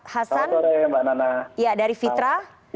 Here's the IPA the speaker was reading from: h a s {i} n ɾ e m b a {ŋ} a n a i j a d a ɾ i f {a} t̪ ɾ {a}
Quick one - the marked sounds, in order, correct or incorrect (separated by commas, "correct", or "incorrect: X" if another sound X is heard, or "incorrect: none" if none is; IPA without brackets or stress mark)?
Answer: incorrect: a, incorrect: n, incorrect: i, correct